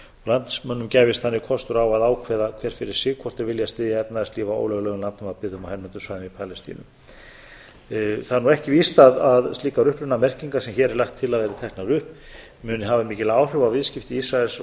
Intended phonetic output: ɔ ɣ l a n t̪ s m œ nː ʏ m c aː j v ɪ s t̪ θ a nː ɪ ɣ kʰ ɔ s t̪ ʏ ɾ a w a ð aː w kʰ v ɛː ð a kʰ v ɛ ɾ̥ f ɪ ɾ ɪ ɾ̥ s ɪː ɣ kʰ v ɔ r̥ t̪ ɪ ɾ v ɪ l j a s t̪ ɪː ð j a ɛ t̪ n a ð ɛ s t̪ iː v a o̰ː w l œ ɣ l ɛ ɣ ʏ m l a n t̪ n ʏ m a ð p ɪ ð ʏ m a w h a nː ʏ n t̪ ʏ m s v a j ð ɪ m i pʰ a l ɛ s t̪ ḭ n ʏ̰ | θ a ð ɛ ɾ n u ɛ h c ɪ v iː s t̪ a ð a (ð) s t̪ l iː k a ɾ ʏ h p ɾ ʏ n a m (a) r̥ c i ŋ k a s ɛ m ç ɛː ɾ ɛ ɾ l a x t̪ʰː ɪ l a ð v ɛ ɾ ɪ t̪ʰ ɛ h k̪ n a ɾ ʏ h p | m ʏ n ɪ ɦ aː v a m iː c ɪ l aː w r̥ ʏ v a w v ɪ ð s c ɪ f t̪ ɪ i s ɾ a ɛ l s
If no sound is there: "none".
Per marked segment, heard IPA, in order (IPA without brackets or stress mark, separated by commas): ð, ɛ